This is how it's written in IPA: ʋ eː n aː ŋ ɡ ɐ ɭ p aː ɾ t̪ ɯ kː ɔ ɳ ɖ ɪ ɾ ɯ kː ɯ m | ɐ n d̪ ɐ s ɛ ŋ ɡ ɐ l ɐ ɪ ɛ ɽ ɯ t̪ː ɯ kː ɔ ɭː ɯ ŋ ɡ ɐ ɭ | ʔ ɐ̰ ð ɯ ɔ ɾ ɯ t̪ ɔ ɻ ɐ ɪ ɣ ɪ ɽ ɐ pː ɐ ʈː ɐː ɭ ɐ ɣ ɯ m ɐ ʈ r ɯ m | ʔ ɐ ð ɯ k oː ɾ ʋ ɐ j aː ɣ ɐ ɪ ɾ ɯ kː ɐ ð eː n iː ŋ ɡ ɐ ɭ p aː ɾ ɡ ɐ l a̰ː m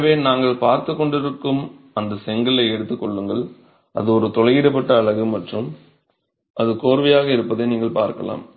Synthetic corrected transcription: ʋ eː n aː ŋ ɡ ɐ ɭ p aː ɾ t̪ ɯ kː ɔ ɳ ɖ ɪ ɾ ɯ kː ɯ m | ɐ n d̪ ɐ s ɛ ŋ ɡ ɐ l ɐ ɪ ɛ ɽ ɯ t̪ː ɯ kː ɔ ɭː ɯ ŋ ɡ ɐ ɭ | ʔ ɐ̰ ð ɯ ɔ ɾ ɯ t̪ ɔ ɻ ɐ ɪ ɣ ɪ ɽ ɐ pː ɐ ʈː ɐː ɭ ɐ ɣ ɯ m ɐ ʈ r ɯ m | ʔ ɐ ð ɯ k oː ɾ ʋ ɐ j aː ɣ ɐ ɪ ɾ ɯ pː ɐ ð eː n iː ŋ ɡ ɐ ɭ p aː ɾ k ɐ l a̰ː m